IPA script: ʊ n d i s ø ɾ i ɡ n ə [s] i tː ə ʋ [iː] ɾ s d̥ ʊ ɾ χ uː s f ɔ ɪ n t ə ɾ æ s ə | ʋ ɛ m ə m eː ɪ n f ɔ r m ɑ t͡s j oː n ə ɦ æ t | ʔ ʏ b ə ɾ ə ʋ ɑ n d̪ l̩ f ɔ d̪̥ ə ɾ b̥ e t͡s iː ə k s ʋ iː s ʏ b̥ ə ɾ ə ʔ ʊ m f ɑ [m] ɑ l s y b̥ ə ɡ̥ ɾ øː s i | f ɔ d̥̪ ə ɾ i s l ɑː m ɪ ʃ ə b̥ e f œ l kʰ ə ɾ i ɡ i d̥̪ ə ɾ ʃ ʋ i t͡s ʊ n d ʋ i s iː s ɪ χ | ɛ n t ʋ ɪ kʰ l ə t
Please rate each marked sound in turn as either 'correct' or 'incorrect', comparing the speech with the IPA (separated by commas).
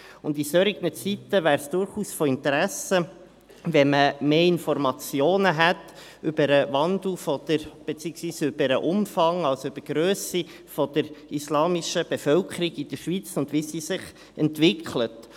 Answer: incorrect, incorrect, incorrect